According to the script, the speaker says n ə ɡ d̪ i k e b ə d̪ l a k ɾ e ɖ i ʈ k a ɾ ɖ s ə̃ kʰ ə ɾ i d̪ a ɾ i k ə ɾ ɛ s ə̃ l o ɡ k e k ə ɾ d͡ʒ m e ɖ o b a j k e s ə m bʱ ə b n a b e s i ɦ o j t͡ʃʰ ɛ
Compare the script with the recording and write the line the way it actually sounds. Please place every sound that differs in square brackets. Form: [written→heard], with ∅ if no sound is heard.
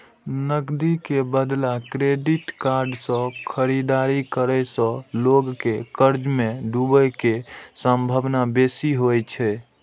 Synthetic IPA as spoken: n ə ɡ d̪ i k e b ə d̪ l a k ɾ e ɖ i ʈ k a ɾ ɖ s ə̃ kʰ ə ɾ i d̪ a ɾ i k ə ɾ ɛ s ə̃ l o ɡ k e k ə ɾ d͡ʒ m e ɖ [o→u] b [a→ə] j k e s ə m bʱ ə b n a b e s i ɦ o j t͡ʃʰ ɛ